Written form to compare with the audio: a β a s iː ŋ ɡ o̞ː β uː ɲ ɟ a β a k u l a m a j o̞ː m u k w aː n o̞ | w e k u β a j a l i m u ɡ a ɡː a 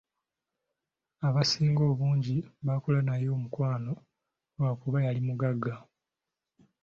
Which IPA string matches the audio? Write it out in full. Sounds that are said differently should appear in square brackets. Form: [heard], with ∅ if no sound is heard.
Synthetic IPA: a β a s iː ŋ ɡ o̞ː β uː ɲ ɟ [i] β a k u l a [n] a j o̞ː m u k w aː n o̞ | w [a] k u β a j a l i m u ɡ a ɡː a